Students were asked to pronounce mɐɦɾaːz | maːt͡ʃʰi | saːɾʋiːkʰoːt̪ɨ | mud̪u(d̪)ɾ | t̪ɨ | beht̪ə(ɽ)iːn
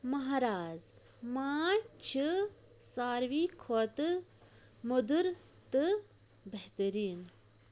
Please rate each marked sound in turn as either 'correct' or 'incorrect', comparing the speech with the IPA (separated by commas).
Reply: incorrect, incorrect